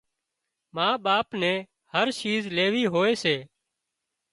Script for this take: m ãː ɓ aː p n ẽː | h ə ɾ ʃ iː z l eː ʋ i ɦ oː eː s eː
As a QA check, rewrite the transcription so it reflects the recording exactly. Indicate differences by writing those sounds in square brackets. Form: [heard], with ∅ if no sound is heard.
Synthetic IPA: m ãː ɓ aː p n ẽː | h ə ɾ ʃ iː z l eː ʋ [iː] ɦ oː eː s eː